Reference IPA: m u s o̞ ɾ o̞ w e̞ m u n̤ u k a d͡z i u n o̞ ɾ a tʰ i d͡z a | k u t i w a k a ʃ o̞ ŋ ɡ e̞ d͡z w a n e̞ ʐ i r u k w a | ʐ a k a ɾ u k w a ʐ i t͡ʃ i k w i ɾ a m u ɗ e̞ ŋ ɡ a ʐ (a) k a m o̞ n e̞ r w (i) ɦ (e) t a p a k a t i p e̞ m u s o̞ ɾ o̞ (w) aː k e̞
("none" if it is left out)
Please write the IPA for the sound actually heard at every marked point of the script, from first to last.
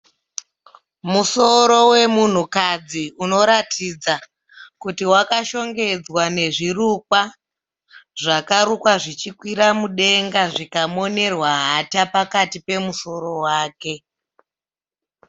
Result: i, a, a, w

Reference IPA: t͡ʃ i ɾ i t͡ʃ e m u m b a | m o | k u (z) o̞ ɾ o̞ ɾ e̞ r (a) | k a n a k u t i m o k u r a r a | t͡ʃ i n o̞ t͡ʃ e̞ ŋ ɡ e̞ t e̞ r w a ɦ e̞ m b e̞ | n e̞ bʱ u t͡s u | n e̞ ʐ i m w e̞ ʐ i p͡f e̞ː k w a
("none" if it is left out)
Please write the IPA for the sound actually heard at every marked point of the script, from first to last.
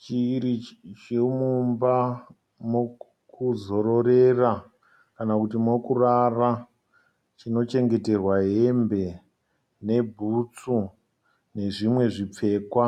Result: z, a

